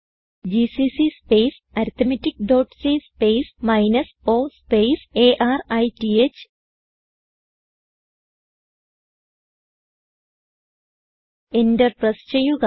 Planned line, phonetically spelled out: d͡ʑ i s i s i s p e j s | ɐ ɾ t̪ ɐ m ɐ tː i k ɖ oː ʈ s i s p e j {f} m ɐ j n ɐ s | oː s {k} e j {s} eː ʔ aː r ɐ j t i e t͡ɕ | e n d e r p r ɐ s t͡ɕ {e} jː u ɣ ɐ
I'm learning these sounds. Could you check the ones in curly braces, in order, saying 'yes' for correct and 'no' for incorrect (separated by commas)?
no, no, yes, yes